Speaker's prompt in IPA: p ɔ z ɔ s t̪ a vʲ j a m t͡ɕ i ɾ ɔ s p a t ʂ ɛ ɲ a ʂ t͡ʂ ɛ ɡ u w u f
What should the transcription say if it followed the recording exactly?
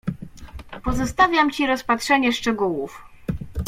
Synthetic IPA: p ɔ z ɔ s t̪ a vʲ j a m t͡ɕ i ɾ ɔ s p a t ʂ ɛ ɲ ɛ ʂ t͡ʂ ɛ ɡ u w u f

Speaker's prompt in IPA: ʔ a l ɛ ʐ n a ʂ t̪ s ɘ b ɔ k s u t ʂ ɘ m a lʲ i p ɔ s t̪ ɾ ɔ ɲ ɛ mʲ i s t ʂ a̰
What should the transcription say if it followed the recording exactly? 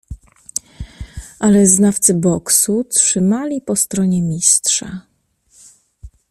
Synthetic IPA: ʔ a l ɛ z n a f t̪ s ɘ b ɔ k s u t ʂ ɘ m a lʲ i p ɔ s t̪ ɾ ɔ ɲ ɛ mʲ i s t ʂ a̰

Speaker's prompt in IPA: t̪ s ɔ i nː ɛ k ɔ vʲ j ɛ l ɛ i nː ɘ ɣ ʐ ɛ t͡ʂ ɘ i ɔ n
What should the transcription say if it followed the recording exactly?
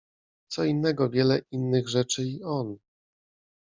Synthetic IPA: t̪ s ɔ i nː ɛ ɡ ɔ vʲ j ɛ l ɛ i nː ɘ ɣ ʐ ɛ t͡ʂ ɘ i ɔ n

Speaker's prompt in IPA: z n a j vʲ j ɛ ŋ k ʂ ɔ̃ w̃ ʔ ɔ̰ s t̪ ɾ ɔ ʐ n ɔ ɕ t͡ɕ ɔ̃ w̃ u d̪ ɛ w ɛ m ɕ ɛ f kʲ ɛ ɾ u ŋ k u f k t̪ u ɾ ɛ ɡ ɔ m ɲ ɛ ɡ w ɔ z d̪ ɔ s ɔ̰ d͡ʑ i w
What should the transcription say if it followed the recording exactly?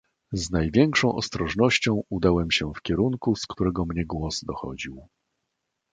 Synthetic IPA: z n a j vʲ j ɛ ŋ k ʂ ɔ̃ w̃ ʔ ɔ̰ s t̪ ɾ ɔ ʐ n ɔ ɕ t͡ɕ ɔ̃ w̃ u d̪ a w ɛ m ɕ ɛ f kʲ ɛ ɾ u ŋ k u s k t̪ u ɾ ɛ ɡ ɔ m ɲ ɛ ɡ w ɔ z d̪ ɔ x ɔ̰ d͡ʑ i w

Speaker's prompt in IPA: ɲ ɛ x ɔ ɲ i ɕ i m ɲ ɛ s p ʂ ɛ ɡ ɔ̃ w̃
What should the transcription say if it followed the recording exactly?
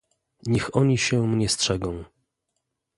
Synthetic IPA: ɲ ɛ x ɔ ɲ i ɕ ɛ m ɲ ɛ s t ʂ ɛ ɡ ɔ̃ w̃

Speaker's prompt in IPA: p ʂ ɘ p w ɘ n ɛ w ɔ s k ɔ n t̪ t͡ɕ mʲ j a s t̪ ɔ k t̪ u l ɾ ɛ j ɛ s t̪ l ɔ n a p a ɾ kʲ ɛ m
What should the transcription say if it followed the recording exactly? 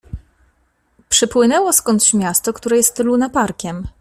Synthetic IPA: p ʂ ɘ p w ɘ n ɛ w ɔ s k ɔ n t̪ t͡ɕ mʲ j a s t̪ ɔ k t̪ u ɾ ɛ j ɛ s t̪ l u n a p a ɾ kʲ ɛ m

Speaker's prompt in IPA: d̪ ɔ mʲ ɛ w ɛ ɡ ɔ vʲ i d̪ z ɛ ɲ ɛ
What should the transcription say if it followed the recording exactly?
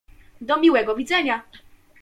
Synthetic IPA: d̪ ɔ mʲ i w ɛ ɡ ɔ vʲ i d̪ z ɛ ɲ a

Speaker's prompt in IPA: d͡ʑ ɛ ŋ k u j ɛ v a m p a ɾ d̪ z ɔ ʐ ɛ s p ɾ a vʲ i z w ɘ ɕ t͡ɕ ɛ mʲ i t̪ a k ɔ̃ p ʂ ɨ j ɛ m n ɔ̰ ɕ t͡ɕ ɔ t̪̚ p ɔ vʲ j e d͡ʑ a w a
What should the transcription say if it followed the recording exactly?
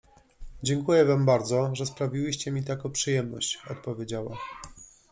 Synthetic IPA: d͡ʑ ɛ ŋ k u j ɛ v a m b a ɾ d̪ z ɔ ʐ ɛ s p ɾ a vʲ i w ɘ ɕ t͡ɕ ɛ mʲ i t̪ a k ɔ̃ p ʂ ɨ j ɛ m n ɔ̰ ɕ t͡ɕ ɔ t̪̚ p ɔ vʲ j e d͡ʑ a w a

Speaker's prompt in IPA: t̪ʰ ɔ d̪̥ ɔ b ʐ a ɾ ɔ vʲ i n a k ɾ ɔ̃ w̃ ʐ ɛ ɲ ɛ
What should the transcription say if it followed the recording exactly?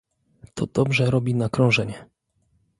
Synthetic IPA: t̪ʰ ɔ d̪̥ ɔ b ʐ ɛ ɾ ɔ bʲ i n a k ɾ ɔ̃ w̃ ʐ ɛ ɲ ɛ

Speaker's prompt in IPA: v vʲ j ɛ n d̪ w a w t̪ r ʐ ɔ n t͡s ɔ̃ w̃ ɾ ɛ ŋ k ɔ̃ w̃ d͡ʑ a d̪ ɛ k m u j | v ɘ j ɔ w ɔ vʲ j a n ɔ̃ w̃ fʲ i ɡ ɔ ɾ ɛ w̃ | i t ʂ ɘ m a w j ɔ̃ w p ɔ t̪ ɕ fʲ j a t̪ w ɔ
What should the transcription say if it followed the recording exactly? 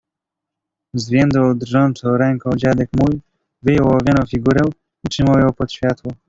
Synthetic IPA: z vʲ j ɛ n d̪ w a w d̪ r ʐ ɔ n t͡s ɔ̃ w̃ ɾ ɛ ŋ k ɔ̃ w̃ d͡ʑ a d̪ ɛ k m u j | v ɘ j ɔ w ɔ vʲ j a n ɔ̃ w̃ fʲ i ɡ u ɾ ɛ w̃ | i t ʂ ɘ m a w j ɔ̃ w p ɔ t̪ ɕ fʲ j a t̪ w ɔ

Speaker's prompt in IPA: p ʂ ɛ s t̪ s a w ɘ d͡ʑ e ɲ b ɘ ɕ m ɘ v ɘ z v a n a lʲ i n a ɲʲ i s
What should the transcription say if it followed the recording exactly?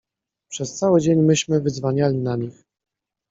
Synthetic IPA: p ʂ ɛ s t̪ s a w ɘ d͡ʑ e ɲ m ɘ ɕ m ɘ v ɘ z v a ɲ a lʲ i n a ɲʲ i x

